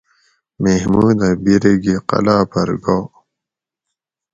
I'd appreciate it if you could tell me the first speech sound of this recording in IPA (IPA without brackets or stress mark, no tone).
m